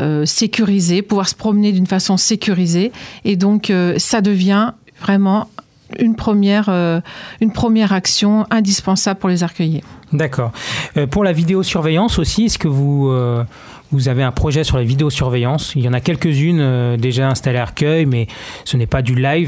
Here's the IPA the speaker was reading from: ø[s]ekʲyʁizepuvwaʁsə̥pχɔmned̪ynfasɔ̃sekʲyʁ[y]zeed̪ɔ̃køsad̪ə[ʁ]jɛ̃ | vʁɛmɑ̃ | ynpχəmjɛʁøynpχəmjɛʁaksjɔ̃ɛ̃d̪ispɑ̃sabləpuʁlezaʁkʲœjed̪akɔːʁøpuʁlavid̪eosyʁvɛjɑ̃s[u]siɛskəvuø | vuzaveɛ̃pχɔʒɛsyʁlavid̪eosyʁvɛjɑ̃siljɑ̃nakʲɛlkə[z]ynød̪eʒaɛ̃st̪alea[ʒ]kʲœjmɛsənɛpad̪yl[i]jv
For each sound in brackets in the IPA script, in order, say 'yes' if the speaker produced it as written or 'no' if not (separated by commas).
yes, no, no, no, yes, no, no